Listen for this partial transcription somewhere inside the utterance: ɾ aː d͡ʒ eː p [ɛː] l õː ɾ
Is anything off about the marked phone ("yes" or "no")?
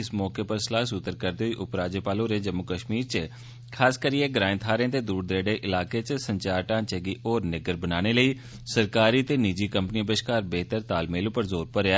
yes